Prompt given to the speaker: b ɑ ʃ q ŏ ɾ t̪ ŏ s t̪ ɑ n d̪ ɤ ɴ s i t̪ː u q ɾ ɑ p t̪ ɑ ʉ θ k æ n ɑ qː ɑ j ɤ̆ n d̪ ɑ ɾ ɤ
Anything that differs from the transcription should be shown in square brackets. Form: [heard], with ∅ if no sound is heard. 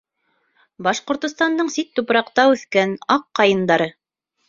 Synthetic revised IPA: b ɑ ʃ q ŏ ɾ t̪ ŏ s t̪ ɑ n d̪ ɤ ɴ s i t̪ː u [p] ɾ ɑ [q] t̪ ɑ ʉ θ k æ n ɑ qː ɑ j ɤ̆ n d̪ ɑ ɾ ɤ